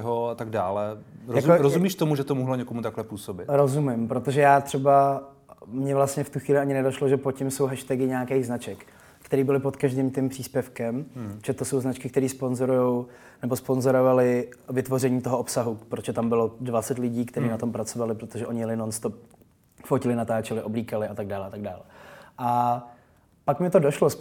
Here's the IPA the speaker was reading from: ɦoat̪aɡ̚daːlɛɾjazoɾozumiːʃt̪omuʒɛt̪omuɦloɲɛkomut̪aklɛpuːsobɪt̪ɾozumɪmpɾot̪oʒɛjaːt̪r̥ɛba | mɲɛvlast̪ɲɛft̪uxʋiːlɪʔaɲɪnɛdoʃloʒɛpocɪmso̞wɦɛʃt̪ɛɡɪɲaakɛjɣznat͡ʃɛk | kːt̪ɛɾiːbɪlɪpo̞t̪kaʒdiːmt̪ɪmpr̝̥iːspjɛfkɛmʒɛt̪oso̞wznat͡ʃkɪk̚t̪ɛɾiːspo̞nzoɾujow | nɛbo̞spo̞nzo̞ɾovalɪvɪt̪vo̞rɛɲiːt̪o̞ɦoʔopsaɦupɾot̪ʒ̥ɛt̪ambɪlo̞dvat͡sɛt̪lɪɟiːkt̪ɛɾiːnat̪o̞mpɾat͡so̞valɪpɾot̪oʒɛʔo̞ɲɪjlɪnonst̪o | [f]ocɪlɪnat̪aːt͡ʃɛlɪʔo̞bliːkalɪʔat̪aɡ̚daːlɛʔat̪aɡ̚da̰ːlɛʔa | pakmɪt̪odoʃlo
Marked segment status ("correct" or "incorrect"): correct